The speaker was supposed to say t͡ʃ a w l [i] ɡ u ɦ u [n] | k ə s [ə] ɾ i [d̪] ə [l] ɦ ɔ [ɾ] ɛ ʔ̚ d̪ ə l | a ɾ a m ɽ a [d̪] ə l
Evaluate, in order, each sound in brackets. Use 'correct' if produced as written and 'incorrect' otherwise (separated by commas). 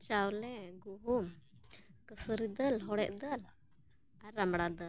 incorrect, incorrect, correct, correct, correct, incorrect, correct